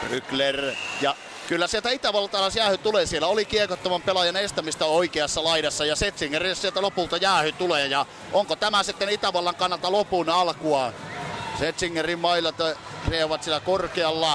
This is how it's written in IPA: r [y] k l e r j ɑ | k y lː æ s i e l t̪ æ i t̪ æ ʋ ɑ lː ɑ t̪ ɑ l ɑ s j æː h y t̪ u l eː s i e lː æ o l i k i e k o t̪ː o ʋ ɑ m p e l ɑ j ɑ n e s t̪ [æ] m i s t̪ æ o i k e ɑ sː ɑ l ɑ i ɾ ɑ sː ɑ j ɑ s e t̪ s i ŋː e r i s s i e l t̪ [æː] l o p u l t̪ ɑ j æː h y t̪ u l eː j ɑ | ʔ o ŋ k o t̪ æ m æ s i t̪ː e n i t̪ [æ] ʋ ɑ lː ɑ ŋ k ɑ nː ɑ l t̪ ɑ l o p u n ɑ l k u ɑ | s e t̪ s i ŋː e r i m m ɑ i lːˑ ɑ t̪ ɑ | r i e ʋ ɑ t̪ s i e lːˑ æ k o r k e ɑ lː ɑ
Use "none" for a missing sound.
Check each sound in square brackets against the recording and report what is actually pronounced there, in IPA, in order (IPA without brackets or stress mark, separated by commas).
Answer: y, æ, æ, æ